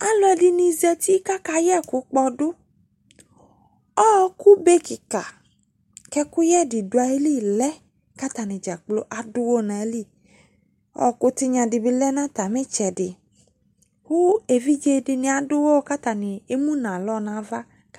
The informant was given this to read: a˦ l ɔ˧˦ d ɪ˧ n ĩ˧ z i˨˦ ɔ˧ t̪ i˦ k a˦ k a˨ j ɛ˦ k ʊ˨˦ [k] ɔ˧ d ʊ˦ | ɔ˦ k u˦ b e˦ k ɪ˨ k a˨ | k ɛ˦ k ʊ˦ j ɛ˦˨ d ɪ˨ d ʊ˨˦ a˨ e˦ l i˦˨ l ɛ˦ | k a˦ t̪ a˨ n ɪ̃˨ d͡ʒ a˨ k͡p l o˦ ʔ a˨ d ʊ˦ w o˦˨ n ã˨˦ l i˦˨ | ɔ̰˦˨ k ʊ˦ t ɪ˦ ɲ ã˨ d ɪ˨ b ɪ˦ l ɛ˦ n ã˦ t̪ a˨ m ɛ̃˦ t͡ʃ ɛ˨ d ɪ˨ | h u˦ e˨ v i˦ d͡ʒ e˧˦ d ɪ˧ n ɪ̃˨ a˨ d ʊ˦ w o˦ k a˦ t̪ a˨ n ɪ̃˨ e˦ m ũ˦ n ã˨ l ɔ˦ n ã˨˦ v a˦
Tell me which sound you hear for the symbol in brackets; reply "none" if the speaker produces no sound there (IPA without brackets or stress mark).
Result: k͡p